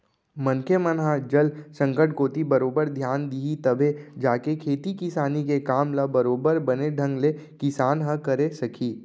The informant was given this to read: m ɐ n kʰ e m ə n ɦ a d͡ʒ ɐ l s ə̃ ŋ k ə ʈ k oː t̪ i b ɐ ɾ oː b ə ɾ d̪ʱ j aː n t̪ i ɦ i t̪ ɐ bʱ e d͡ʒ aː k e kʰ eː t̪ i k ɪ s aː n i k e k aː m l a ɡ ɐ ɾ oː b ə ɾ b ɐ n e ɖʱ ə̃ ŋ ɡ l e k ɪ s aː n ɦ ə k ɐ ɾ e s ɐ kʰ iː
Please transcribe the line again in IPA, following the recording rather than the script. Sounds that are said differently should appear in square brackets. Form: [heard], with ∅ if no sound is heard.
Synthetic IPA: m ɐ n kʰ e m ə n ɦ a d͡ʒ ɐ l s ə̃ ŋ k ə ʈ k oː t̪ i b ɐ ɾ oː b ə ɾ d̪ʱ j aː n [d̪] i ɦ i t̪ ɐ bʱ e d͡ʒ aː k e kʰ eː t̪ i k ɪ s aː n i k e k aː m l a [b] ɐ ɾ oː b ə ɾ b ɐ n e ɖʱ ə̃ ŋ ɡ l e k ɪ s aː n ɦ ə k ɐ ɾ e s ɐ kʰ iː